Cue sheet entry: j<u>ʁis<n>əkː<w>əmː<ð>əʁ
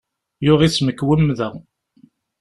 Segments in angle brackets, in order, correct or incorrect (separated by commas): incorrect, incorrect, correct, correct